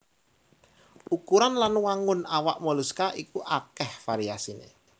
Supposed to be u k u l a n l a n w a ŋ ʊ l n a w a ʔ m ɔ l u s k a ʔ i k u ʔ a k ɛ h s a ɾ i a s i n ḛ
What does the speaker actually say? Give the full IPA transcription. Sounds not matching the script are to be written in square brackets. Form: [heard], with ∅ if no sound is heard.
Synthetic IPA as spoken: u k u [ɾ] a n l a n w a ŋ ʊ [∅] n a w a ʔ m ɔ l u s k a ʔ i k u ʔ a k ɛ h [f] a ɾ i a s i n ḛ